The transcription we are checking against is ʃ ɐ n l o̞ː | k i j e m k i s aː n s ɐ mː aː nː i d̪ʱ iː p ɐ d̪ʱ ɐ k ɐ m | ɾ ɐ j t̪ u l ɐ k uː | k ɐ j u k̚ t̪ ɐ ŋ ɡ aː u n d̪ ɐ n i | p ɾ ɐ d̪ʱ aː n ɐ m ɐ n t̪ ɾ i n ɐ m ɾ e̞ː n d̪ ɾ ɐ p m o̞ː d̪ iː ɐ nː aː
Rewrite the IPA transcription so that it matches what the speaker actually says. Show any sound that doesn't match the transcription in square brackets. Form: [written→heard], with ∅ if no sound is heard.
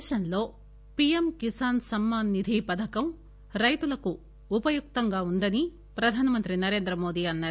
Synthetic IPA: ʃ ɐ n l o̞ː | [k→p] i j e m k i s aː n s ɐ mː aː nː i d̪ʱ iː p ɐ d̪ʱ ɐ k ɐ m | ɾ ɐ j t̪ u l ɐ k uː | [k→p] ɐ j u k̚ t̪ ɐ ŋ ɡ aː u n d̪ ɐ n i | p ɾ ɐ d̪ʱ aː n ɐ m ɐ n t̪ ɾ i n ɐ [m→∅] ɾ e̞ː n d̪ ɾ ɐ [p→∅] m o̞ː d̪ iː ɐ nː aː